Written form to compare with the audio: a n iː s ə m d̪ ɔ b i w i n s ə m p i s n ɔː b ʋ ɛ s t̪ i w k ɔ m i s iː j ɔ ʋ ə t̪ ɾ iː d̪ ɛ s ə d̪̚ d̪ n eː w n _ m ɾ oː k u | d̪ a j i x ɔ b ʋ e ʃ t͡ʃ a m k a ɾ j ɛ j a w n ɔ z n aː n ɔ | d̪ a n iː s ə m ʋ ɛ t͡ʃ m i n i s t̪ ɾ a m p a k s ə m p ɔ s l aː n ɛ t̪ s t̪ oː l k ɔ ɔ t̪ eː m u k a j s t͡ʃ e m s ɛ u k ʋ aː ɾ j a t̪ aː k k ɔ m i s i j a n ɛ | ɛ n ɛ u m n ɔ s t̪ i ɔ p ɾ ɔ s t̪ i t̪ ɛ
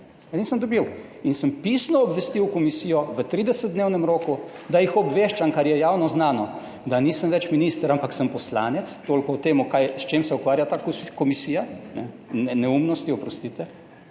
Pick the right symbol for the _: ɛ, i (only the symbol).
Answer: ɛ